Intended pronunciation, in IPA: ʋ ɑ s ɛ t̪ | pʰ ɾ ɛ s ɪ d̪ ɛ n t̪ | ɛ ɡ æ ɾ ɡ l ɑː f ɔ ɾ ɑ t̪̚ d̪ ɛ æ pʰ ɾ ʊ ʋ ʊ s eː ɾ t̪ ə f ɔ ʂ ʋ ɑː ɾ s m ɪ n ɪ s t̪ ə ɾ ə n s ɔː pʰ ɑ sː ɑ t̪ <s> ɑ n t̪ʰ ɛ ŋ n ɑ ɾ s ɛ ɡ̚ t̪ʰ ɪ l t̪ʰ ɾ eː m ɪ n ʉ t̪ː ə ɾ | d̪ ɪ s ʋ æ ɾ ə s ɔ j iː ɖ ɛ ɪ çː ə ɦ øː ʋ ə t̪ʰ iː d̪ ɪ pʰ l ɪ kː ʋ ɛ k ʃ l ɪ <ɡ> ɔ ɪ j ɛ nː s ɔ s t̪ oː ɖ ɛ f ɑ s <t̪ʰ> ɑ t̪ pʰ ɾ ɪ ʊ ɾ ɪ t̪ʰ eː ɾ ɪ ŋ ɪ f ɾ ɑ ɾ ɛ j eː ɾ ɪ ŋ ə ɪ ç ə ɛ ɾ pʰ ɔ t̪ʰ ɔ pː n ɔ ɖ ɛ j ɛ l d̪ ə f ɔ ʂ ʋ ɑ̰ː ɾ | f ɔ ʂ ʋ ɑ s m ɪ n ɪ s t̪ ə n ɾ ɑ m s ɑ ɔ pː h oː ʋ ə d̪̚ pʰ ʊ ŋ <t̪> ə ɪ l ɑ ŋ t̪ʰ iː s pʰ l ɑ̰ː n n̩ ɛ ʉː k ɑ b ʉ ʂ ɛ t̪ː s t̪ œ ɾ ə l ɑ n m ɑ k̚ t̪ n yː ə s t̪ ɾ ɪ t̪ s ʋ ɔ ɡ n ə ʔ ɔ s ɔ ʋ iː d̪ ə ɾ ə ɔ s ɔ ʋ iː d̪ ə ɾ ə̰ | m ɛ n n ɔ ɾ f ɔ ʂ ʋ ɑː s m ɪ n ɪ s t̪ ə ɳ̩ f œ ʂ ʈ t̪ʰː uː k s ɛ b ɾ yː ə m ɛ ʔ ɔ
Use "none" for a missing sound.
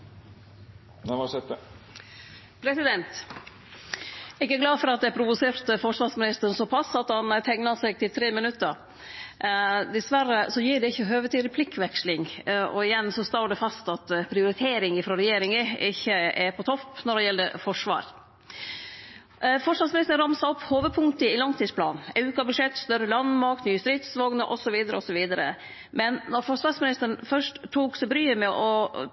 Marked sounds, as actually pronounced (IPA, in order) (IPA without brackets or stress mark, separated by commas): h, ŋ, t̪, t̪